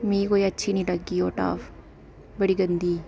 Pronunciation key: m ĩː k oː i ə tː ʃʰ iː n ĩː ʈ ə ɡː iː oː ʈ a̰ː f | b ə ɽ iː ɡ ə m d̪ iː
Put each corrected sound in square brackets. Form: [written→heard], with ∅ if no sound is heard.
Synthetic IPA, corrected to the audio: m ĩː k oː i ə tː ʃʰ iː n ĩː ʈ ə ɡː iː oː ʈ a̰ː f | b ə ɽ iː ɡ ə [m→n] d̪ iː

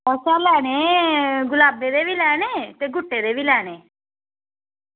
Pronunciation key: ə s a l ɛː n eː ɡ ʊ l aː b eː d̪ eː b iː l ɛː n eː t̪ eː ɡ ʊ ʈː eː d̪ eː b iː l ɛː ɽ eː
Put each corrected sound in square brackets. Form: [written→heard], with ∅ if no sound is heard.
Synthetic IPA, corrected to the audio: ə s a l ɛː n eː ɡ ʊ l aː b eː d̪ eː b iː l ɛː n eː t̪ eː ɡ ʊ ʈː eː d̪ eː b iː l ɛː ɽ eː

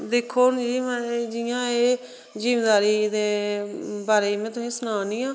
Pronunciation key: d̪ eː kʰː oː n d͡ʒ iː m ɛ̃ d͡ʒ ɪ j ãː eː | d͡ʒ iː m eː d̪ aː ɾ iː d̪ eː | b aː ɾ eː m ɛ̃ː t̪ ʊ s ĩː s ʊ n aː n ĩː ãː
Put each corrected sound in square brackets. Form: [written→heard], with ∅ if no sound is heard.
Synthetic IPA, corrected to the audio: d̪ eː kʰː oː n d͡ʒ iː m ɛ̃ d͡ʒ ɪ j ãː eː | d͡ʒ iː m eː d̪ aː ɾ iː d̪ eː | b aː ɾ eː m ɛ̃ː t̪ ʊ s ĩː s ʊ n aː n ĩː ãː

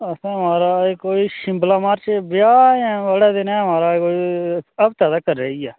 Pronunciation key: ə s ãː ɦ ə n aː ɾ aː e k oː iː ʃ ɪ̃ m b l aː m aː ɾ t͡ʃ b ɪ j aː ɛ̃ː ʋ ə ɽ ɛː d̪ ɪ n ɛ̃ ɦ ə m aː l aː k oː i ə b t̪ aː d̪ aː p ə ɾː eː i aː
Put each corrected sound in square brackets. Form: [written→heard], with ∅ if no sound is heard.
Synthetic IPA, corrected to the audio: ə s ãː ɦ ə [n→m] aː ɾ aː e k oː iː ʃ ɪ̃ m b l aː m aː ɾ t͡ʃ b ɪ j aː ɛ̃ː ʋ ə ɽ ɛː d̪ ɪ n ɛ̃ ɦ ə m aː [l→ɾ] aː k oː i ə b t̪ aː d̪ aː [p→k] ə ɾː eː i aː

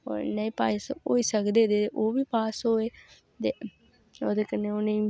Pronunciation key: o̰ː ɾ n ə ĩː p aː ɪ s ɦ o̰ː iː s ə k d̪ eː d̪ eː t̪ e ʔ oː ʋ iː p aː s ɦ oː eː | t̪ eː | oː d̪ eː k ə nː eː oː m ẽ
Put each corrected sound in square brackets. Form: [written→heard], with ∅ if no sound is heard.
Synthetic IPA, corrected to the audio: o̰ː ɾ n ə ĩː p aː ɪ s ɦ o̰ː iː s ə k d̪ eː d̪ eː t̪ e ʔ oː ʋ iː p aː s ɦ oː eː | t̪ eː | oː d̪ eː k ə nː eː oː [m→n] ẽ

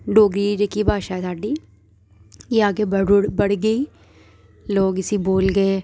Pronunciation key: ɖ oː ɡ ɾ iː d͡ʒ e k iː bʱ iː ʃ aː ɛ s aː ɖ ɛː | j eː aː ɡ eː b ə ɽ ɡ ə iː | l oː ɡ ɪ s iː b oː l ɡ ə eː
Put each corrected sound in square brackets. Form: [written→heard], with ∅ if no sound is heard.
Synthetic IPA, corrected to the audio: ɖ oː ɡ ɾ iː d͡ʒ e k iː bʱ [iː→aː] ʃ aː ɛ s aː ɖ [ɛː→iː] | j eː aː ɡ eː b ə ɽ ɡ ə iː | l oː ɡ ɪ s iː b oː l ɡ ə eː

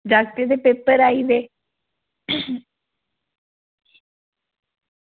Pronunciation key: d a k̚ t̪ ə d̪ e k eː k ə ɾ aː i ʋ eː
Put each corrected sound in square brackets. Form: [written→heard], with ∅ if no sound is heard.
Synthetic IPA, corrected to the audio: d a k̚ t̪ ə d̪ e [k→p] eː [k→p] ə ɾ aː i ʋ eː

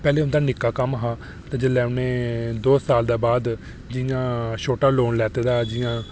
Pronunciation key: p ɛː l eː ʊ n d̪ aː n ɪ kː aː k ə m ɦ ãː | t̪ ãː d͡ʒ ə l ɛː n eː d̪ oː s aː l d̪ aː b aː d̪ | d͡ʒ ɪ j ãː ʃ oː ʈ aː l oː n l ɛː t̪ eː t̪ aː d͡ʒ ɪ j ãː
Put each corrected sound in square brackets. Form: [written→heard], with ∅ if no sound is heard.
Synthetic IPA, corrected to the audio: p ɛː l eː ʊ n d̪ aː n ɪ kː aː k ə m ɦ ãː | t̪ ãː d͡ʒ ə l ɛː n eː d̪ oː s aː l d̪ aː b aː d̪ | d͡ʒ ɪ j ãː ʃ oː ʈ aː l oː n l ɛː t̪ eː [t̪→d̪] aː d͡ʒ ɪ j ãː

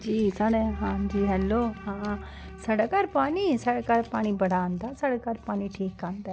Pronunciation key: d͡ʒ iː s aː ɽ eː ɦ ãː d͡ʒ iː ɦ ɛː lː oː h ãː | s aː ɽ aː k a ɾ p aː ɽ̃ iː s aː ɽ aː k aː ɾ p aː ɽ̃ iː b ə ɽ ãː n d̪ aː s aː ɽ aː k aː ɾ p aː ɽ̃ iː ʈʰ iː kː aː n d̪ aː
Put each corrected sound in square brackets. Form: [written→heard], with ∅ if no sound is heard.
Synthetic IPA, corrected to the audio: d͡ʒ iː s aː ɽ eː ɦ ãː d͡ʒ iː ɦ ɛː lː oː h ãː | s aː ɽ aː k a ɾ p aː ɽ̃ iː s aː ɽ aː k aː ɾ p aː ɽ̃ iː b ə ɽ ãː n d̪ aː s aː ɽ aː k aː ɾ p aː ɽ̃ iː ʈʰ iː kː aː n d̪ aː

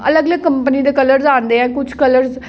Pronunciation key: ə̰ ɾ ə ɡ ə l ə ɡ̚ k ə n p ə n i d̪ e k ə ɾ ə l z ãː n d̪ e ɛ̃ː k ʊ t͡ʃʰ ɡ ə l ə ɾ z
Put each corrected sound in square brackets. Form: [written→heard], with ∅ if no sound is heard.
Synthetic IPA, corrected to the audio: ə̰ [ɾ→l] ə ɡ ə l ə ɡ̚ k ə [n→m] p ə n i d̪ e k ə [ɾ→l] ə [l→ɾ] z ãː n d̪ e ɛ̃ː k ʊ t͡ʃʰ [ɡ→k] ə l ə ɾ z

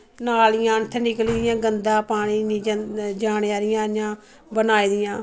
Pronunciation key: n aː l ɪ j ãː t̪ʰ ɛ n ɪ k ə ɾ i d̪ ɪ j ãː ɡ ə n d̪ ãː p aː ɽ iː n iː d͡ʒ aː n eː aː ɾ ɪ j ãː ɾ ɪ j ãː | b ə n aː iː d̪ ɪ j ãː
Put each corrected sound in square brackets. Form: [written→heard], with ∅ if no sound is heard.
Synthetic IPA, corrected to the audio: n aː l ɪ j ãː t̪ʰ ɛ n ɪ k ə [ɾ→l] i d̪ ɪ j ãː ɡ ə n d̪ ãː p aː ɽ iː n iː d͡ʒ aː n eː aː ɾ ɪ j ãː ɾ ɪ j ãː | b ə n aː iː d̪ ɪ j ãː

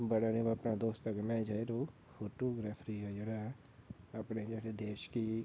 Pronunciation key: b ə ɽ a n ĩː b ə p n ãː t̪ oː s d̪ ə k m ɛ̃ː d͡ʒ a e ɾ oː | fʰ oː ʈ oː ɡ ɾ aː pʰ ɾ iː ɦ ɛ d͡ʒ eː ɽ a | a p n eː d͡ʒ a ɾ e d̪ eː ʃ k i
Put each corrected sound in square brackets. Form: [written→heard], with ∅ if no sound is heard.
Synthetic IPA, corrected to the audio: b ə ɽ a n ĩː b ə p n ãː [t̪→d̪] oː s [d̪→t̪] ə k m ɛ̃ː d͡ʒ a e ɾ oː | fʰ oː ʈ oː ɡ ɾ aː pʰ ɾ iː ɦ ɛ d͡ʒ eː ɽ a | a p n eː d͡ʒ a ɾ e d̪ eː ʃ k i

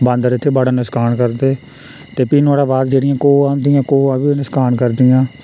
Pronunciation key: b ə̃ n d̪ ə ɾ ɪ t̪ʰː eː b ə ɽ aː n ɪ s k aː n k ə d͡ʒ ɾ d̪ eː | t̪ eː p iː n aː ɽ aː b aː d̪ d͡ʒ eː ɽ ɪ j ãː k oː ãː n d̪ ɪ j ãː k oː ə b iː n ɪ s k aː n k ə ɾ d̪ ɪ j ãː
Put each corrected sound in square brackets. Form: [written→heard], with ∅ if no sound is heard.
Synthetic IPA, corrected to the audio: b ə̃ n d̪ ə ɾ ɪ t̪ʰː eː b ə ɽ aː n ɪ s k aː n k ə [d͡ʒ→∅] ɾ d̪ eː | t̪ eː p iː n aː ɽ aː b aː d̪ d͡ʒ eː ɽ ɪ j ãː k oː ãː n d̪ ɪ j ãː k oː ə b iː n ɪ s k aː n k ə ɾ d̪ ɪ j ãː

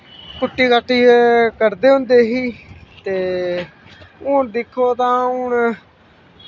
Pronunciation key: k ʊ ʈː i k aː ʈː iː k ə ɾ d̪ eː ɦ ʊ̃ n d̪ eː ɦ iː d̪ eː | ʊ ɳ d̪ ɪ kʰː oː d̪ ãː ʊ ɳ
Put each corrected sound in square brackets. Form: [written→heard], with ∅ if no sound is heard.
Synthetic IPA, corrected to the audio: k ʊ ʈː [i→iː] k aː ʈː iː k ə ɾ d̪ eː ɦ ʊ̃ n d̪ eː ɦ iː [d̪→t̪] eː | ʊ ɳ d̪ ɪ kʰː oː [d̪→t̪] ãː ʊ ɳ

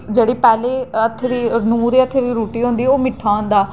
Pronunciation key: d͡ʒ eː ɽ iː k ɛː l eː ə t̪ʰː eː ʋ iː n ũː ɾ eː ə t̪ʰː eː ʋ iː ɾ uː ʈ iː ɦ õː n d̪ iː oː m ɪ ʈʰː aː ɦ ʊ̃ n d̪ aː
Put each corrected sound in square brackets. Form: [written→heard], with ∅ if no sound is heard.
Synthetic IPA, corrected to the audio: d͡ʒ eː ɽ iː [k→p] ɛː l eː ə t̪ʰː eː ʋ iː n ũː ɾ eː ə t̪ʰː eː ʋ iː ɾ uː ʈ iː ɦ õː n d̪ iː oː m ɪ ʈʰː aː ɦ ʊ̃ n d̪ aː

